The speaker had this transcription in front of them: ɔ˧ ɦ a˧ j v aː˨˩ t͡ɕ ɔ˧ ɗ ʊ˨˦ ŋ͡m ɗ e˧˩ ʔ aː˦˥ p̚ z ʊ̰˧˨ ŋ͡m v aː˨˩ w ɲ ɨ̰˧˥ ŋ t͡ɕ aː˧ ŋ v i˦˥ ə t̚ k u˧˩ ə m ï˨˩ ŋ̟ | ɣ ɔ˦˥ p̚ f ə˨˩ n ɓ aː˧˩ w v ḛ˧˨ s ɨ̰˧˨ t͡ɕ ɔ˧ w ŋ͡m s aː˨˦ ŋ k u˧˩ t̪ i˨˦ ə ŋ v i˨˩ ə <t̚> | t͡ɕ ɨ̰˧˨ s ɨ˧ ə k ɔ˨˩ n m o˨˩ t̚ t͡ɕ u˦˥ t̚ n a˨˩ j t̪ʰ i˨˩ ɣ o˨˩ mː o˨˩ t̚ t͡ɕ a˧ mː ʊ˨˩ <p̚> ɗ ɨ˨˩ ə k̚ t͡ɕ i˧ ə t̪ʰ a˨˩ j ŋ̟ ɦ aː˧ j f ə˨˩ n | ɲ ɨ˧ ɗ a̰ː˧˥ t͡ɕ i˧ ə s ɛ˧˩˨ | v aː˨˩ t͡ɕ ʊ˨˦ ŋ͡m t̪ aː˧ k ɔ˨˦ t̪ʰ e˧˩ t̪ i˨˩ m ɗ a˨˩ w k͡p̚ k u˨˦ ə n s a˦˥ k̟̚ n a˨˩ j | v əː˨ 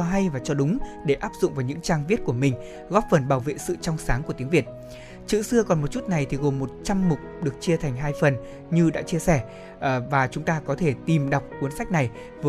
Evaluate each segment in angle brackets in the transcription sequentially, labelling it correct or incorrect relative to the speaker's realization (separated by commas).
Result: correct, incorrect